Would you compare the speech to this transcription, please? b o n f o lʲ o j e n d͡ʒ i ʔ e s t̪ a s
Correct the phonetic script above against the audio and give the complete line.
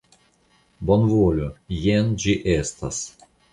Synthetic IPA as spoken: b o n v o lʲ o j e n d͡ʒ i ʔ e s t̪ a s